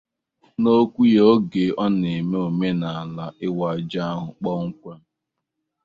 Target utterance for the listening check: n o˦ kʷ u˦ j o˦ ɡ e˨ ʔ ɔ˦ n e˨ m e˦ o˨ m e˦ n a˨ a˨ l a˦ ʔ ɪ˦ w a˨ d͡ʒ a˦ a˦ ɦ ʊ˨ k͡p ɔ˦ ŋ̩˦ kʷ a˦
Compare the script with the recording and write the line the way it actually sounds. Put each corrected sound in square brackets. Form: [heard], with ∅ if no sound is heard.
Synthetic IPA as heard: n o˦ kʷ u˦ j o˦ ɡ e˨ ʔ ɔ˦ n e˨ m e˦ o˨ m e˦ n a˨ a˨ l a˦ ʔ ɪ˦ w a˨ d͡ʒ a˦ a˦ ɦ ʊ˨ k͡p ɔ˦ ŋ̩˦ kʷ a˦